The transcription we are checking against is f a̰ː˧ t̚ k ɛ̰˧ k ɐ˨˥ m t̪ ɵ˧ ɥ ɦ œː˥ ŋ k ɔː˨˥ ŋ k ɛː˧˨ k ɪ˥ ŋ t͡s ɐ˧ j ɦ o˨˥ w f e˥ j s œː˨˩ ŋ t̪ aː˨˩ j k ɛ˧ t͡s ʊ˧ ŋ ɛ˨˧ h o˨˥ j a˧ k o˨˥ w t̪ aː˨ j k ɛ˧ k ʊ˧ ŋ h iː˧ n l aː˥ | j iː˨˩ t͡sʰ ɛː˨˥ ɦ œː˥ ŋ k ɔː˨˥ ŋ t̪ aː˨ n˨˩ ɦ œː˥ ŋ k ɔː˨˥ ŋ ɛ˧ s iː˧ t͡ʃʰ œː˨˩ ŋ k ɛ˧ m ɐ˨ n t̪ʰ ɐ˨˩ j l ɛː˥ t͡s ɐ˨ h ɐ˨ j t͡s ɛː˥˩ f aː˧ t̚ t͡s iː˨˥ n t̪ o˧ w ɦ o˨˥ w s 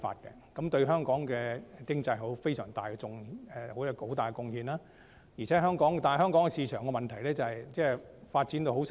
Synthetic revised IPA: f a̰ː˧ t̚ k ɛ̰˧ k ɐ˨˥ m t̪ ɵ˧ ɥ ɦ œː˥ ŋ k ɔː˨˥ ŋ k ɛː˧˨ k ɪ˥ ŋ t͡s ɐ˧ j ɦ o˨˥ w f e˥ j s œː˨˩ ŋ t̪ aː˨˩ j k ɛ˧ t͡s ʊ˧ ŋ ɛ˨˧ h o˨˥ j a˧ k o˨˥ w t̪ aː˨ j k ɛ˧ k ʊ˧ ŋ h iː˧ n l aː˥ | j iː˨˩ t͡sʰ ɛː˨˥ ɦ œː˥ ŋ k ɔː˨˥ ŋ t̪ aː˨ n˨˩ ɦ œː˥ ŋ k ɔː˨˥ ŋ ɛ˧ s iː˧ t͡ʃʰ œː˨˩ ŋ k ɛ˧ m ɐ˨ n t̪ʰ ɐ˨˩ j l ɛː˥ t͡s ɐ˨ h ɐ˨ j t͡s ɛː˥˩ f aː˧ t̚ t͡s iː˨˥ n t̪ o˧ w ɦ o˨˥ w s